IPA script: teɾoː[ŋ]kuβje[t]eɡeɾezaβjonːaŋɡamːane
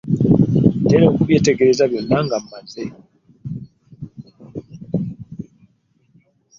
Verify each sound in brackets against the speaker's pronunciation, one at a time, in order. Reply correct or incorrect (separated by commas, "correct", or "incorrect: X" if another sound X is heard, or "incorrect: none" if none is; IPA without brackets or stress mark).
incorrect: none, correct